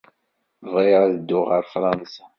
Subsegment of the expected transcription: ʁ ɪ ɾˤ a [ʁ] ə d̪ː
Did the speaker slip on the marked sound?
yes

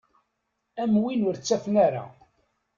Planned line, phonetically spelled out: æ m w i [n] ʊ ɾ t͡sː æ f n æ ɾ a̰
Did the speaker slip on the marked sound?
no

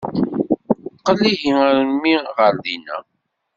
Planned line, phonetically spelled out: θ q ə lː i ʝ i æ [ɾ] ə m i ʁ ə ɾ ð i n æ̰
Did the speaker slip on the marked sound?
no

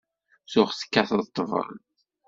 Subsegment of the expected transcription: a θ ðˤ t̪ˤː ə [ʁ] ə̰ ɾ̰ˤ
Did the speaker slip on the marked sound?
yes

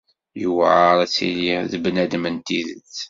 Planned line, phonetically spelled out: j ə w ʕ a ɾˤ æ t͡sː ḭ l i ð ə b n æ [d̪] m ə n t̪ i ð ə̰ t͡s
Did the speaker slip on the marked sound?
no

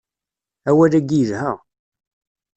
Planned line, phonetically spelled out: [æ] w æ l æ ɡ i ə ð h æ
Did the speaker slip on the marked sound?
no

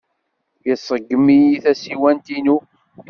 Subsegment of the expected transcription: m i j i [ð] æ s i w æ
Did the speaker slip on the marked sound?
yes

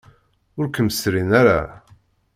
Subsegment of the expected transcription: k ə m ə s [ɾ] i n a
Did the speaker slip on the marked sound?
no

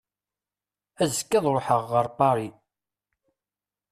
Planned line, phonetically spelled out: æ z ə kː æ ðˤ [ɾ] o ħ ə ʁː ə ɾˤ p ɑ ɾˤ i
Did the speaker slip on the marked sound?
no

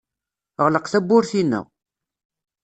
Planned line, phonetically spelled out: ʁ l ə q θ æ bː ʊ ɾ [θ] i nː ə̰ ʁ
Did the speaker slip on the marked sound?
no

